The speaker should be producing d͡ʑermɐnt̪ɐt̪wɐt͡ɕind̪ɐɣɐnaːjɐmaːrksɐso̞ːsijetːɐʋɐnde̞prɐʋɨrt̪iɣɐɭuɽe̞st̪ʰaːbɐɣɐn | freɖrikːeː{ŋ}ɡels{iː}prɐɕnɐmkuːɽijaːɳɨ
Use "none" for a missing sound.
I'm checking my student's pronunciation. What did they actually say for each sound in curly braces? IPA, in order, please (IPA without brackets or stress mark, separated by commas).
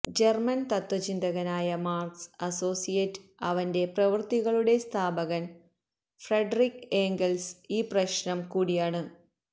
ŋ, iː